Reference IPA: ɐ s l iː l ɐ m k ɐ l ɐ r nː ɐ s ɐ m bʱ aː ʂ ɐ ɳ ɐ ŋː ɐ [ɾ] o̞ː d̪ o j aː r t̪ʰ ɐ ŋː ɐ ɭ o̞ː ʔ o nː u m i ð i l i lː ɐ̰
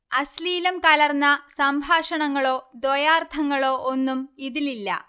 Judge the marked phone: incorrect: ɭ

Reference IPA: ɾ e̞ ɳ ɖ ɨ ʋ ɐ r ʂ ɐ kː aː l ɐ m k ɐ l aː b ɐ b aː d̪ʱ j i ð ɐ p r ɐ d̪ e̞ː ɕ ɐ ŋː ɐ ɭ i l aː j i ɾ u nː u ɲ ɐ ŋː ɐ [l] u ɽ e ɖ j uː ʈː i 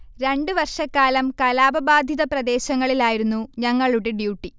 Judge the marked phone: incorrect: ɭ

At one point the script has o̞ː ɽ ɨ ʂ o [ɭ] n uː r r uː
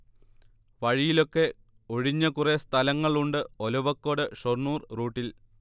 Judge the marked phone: incorrect: r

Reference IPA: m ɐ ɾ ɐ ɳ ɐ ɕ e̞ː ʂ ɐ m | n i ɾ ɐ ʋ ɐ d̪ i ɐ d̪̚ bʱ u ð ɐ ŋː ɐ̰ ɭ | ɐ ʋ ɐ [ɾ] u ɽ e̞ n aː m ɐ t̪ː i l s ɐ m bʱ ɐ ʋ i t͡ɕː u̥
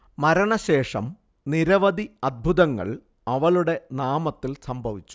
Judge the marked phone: incorrect: ɭ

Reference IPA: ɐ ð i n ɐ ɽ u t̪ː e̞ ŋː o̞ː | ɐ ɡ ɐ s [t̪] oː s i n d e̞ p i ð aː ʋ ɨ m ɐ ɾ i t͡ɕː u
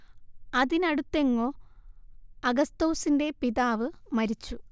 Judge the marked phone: correct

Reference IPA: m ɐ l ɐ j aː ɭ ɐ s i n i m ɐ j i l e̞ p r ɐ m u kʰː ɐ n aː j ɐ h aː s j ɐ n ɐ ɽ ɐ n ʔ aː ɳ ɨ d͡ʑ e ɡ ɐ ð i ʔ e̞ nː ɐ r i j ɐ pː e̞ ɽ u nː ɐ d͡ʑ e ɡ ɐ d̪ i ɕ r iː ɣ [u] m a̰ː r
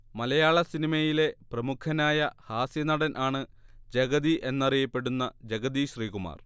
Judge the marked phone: correct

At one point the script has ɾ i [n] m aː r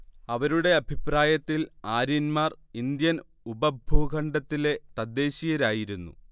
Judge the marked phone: correct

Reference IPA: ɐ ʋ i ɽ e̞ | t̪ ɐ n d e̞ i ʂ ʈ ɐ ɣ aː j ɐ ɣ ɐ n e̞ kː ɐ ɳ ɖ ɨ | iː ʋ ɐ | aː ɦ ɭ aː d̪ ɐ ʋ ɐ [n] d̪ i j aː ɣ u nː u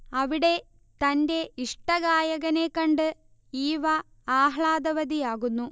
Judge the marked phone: incorrect: none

